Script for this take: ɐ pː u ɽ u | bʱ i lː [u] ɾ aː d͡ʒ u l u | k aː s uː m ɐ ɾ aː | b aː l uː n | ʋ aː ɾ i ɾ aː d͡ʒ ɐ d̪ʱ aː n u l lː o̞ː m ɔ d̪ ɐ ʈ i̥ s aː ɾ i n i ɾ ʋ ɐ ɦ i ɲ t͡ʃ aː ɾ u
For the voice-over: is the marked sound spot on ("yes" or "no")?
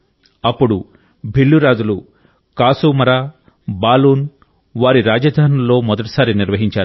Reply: yes